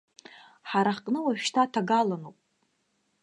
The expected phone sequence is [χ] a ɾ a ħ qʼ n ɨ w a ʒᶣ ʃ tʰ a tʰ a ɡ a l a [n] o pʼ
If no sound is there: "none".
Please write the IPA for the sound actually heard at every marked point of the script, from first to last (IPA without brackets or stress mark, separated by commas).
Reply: ħ, n